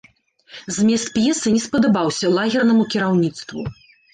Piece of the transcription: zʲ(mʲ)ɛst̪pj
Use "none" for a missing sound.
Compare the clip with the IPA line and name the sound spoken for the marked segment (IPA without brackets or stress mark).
mʲ